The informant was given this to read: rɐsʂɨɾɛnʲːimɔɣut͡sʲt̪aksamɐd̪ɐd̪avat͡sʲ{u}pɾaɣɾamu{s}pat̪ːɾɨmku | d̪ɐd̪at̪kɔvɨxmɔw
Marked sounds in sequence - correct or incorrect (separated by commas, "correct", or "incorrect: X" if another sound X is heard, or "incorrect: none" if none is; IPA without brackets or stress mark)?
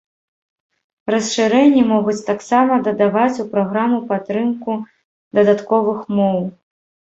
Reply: correct, incorrect: none